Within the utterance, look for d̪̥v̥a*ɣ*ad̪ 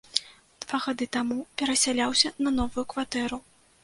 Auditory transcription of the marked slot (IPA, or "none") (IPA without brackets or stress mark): ɣ